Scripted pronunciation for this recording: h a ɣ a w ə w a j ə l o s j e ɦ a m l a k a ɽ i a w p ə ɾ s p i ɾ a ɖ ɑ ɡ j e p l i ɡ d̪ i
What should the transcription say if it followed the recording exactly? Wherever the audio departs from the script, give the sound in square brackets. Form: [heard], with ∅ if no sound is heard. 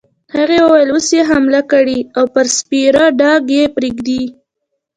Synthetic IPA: h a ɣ [e] w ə w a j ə l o s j e ɦ a m l a k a ɽ i a w p ə ɾ s p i ɾ a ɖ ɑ ɡ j e p [ɾ] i ɡ d̪ i